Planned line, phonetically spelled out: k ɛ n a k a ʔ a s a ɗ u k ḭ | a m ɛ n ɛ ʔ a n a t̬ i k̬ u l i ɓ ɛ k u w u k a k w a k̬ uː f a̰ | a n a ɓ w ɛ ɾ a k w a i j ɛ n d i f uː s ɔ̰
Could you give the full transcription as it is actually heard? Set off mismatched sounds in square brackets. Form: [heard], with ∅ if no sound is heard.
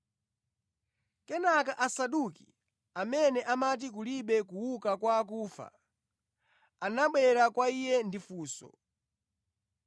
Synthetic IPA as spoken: k ɛ n a k a ʔ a s a ɗ u k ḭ | a m ɛ n ɛ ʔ a [m] a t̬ i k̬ u l i ɓ ɛ k u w u k a k w a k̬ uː f a̰ | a n a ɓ w ɛ ɾ a k w a i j ɛ n d i f uː s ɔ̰